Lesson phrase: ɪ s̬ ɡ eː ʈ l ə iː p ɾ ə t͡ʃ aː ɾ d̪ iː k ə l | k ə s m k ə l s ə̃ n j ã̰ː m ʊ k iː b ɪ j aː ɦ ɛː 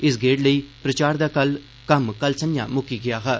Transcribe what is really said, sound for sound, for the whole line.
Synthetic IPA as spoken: ɪ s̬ ɡ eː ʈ l ə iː p ɾ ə t͡ʃ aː ɾ d̪ aː k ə l | k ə m k ə l s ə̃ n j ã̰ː m ʊ k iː ɡ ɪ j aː ɦ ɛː